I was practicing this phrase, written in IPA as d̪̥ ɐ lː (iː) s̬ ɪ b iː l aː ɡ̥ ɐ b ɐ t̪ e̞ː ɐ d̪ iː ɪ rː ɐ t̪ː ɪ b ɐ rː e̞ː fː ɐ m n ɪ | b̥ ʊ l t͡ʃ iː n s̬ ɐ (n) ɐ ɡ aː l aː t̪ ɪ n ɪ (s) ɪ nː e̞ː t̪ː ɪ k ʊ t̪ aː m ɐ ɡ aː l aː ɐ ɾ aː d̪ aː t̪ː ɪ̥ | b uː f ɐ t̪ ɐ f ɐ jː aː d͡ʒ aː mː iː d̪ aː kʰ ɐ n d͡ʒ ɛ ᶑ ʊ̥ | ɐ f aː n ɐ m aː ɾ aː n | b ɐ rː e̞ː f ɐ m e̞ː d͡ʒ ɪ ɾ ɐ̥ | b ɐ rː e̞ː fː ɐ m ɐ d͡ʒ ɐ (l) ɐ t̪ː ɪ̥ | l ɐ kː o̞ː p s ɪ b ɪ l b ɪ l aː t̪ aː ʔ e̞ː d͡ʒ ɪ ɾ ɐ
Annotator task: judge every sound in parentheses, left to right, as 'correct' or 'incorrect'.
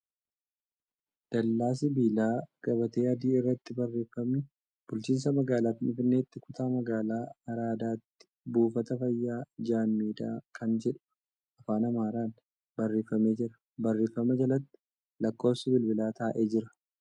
incorrect, incorrect, incorrect, correct

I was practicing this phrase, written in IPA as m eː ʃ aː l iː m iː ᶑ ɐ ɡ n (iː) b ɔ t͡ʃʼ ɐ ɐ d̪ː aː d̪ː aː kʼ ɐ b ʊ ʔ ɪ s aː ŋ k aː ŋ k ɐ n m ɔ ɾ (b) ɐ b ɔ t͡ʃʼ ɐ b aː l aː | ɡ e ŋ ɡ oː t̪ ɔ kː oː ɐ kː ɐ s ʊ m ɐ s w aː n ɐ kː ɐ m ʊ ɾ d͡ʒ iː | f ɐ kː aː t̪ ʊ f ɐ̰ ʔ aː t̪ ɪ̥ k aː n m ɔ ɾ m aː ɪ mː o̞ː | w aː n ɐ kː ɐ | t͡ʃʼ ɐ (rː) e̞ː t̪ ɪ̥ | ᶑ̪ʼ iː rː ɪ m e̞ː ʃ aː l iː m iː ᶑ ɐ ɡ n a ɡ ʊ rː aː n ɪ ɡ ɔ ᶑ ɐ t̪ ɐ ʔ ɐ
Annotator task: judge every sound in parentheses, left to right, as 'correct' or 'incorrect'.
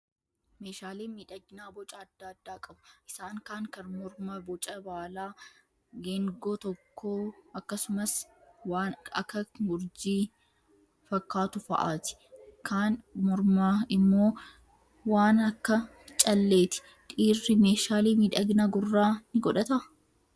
incorrect, incorrect, incorrect

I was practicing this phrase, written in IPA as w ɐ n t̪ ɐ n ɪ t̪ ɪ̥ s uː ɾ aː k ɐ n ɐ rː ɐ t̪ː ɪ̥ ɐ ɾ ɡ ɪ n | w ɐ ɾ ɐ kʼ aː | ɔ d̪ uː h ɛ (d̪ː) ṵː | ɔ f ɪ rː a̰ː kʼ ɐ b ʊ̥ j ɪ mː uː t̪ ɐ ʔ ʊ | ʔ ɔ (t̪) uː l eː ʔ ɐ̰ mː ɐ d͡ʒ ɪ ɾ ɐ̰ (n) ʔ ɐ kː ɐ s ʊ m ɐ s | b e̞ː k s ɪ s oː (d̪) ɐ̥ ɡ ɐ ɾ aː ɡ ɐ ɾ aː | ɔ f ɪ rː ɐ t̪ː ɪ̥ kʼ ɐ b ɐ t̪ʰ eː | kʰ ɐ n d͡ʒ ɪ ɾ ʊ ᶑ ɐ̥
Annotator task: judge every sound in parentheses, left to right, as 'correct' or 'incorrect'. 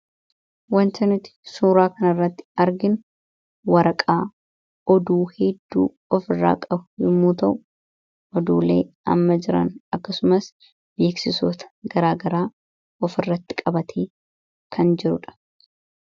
correct, incorrect, correct, incorrect

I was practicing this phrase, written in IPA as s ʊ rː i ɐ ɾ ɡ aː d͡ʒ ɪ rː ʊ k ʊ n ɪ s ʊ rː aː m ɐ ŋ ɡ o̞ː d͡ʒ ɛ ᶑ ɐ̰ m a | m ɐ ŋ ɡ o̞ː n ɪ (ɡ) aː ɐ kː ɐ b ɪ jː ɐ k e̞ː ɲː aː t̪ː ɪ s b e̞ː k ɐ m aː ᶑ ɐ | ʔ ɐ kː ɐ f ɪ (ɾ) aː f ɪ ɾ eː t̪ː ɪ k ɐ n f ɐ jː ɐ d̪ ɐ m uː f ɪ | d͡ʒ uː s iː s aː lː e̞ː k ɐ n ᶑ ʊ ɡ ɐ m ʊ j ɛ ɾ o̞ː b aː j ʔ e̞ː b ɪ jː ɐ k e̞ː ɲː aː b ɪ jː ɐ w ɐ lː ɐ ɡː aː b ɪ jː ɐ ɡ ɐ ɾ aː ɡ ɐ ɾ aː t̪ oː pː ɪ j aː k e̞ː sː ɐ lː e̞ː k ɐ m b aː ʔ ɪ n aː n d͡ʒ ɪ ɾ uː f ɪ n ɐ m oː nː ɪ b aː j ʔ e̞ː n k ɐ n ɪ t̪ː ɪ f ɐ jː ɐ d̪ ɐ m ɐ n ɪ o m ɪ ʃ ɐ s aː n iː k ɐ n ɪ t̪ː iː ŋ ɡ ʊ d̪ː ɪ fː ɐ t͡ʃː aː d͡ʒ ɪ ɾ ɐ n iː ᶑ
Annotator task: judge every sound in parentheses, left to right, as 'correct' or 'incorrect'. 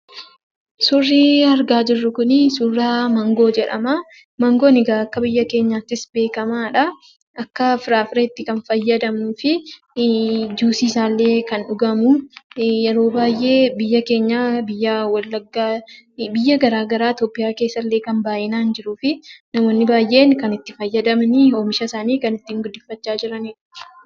correct, correct

